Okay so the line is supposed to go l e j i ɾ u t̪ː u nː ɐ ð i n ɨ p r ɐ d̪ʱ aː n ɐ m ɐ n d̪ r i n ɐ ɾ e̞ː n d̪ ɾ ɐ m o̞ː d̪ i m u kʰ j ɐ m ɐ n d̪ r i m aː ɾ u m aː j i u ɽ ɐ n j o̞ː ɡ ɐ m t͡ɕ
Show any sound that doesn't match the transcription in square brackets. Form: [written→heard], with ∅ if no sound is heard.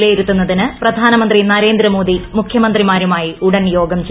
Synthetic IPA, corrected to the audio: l e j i ɾ u t̪ː u nː ɐ ð i n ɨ p r ɐ d̪ʱ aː n ɐ m ɐ n d̪ r i n ɐ ɾ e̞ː n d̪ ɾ ɐ m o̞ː d̪ i m u kʰ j ɐ m ɐ n d̪ r i m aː ɾ u m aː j i u ɽ ɐ n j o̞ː ɡ ɐ m t͡ɕ

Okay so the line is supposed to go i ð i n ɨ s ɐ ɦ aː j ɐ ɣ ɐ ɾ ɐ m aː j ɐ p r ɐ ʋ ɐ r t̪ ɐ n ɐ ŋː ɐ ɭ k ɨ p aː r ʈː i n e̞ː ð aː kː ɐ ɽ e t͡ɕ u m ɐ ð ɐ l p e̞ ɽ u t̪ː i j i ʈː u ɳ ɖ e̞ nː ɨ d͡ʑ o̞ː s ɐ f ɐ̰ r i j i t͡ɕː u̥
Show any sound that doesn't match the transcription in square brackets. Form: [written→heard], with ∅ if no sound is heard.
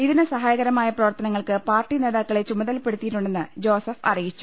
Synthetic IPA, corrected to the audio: i ð i n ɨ s ɐ ɦ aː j ɐ ɣ ɐ ɾ ɐ m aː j ɐ p r ɐ ʋ ɐ r t̪ ɐ n ɐ ŋː ɐ ɭ k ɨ p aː r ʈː i n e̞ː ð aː kː ɐ [ɽ→ɭ] e t͡ɕ u m ɐ ð ɐ l p e̞ ɽ u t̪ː i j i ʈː u ɳ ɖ e̞ nː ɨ d͡ʑ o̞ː s ɐ f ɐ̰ r i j i t͡ɕː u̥

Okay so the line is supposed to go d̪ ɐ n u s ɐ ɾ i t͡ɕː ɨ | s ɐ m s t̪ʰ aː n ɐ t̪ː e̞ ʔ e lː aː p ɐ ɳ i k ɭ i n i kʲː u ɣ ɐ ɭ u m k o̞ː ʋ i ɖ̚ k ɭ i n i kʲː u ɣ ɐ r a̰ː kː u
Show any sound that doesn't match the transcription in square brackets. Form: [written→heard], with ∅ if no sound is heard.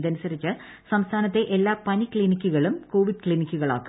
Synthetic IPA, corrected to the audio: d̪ ɐ n u s ɐ ɾ i t͡ɕː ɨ | s ɐ m s t̪ʰ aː n ɐ t̪ː e̞ ʔ e lː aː p ɐ [ɳ→n] i k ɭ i n i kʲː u ɣ ɐ ɭ u m k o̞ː ʋ i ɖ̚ k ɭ i n i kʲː u ɣ ɐ [r→ɭ] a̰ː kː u

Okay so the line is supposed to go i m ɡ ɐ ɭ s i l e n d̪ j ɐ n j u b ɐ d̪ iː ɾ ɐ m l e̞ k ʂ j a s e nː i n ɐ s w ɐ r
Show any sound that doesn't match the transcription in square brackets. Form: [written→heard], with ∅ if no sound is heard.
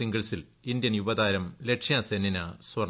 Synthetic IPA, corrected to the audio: i [m→ŋ] ɡ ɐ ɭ s i l [e→i] n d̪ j ɐ n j u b ɐ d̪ [iː→aː] ɾ ɐ m l e̞ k ʂ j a s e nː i n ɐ s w ɐ r

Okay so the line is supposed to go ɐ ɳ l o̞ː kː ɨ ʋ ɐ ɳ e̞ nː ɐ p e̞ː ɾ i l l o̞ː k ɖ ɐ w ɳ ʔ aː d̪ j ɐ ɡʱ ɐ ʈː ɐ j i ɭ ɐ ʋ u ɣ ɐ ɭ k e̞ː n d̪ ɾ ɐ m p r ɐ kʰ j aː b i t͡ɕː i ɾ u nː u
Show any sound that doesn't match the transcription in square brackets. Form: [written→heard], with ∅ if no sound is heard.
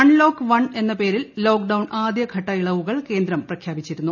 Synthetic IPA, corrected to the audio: ɐ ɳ l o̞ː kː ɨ ʋ ɐ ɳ e̞ nː ɐ p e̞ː ɾ i l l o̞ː k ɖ ɐ w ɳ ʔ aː d̪ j ɐ ɡʱ ɐ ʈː ɐ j i ɭ ɐ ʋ u ɣ ɐ ɭ k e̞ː n d̪ ɾ ɐ m p r ɐ kʰ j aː b i t͡ɕː i ɾ u nː u

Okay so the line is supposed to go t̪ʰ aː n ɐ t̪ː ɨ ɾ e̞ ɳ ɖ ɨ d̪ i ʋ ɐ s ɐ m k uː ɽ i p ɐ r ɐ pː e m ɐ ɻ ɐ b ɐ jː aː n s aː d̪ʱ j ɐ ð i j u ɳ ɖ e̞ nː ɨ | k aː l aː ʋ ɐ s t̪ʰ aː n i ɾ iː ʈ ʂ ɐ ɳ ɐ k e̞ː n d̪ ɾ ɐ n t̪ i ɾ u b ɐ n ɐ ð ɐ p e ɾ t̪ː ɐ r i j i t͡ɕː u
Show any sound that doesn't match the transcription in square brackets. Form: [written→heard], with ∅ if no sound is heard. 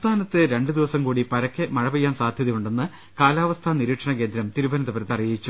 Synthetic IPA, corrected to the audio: t̪ʰ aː n ɐ t̪ː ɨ ɾ e̞ ɳ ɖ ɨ d̪ i ʋ ɐ s ɐ m k uː ɽ i p ɐ [r→ɾ] ɐ [pː→kː] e m ɐ ɻ ɐ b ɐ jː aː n s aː d̪ʱ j ɐ ð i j u ɳ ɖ e̞ nː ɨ | k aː l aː ʋ ɐ s t̪ʰ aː n i ɾ iː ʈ ʂ ɐ ɳ ɐ k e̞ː n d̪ ɾ ɐ [n→m] t̪ i ɾ u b ɐ n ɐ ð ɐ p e ɾ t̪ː ɐ r i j i t͡ɕː u

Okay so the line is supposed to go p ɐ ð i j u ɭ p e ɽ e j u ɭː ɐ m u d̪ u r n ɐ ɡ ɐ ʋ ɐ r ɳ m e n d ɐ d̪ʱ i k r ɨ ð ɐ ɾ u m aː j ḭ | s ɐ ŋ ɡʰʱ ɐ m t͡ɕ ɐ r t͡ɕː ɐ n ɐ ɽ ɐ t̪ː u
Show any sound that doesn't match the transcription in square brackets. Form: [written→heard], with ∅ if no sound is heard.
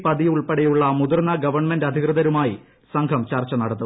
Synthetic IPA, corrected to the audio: p ɐ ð i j u ɭ p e ɽ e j u ɭː ɐ m u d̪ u r n ɐ ɡ ɐ ʋ ɐ r ɳ m e n d ɐ d̪ʱ i k r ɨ ð ɐ ɾ u m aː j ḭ | s ɐ ŋ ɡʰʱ ɐ m t͡ɕ ɐ r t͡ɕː ɐ n ɐ ɽ ɐ t̪ː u

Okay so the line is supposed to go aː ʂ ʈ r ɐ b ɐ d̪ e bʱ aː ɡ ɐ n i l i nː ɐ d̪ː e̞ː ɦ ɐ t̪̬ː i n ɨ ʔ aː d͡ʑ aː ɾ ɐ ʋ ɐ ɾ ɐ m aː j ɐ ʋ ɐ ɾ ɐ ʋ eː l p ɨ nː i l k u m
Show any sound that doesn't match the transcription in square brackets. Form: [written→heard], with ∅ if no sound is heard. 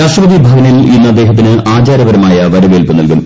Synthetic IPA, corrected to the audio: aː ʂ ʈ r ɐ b ɐ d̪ [e→i] bʱ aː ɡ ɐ n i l i nː ɐ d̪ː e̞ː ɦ ɐ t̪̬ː i n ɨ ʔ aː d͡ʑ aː ɾ ɐ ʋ ɐ ɾ ɐ m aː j ɐ ʋ ɐ ɾ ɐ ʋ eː l p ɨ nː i l k u m

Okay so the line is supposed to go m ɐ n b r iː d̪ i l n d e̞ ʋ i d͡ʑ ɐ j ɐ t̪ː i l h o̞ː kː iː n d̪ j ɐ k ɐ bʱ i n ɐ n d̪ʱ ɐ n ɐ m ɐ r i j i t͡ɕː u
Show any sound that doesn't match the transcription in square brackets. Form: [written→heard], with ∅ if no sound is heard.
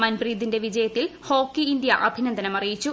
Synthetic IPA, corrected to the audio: m ɐ n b r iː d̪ i [l→∅] n d e̞ ʋ i d͡ʑ ɐ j ɐ t̪ː i l h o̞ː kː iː n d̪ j ɐ [k→ʔ] ɐ bʱ i n ɐ n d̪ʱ ɐ n ɐ m ɐ r i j i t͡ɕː u

